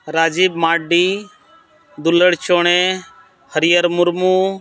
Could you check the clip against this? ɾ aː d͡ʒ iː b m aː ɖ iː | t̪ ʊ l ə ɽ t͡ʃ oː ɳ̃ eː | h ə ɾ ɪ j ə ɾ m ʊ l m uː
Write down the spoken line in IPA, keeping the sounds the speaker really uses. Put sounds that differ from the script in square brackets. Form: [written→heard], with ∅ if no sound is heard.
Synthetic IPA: ɾ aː d͡ʒ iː b m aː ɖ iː | [t̪→d̪] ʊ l ə ɽ t͡ʃ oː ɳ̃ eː | h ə ɾ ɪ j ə ɾ m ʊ [l→ɾ] m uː